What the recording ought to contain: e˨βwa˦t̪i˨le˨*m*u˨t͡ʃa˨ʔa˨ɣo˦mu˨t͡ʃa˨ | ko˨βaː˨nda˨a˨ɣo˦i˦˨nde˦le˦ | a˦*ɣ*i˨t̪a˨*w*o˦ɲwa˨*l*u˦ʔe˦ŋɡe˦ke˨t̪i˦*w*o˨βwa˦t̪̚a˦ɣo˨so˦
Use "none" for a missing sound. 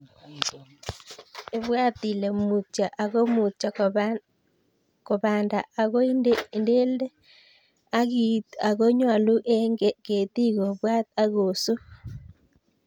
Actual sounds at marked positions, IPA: m, ɣ, ɣ, l, ɣ

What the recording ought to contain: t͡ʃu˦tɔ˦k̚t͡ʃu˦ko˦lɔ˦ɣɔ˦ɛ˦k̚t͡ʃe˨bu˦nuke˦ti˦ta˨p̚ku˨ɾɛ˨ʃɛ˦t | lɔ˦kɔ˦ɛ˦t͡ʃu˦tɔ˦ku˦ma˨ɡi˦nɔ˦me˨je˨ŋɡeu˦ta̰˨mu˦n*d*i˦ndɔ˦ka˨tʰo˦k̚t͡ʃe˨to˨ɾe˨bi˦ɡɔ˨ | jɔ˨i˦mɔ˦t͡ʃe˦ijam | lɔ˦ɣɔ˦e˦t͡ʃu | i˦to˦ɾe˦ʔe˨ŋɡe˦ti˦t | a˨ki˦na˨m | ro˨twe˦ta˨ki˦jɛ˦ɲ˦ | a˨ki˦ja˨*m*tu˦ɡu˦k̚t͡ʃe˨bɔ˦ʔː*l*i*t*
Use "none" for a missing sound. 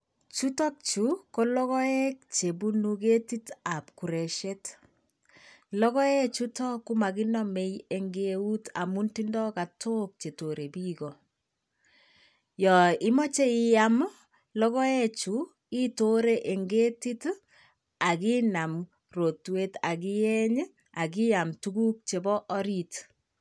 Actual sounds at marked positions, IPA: t, m, ɾ, t

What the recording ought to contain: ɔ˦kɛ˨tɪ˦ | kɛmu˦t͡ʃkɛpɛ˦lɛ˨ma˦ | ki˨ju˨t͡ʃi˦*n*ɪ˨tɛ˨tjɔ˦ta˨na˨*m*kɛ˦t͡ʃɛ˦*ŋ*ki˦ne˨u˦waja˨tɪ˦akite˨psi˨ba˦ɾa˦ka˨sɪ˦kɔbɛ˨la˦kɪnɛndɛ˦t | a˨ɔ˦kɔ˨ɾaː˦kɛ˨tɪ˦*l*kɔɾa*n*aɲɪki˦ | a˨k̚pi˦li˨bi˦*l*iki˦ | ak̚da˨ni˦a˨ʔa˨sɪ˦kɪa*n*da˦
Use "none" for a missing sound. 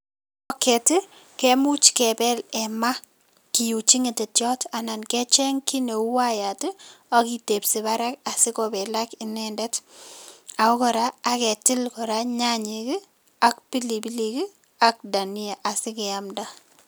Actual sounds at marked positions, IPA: ŋ, n, ŋ, l, ɲ, l, m

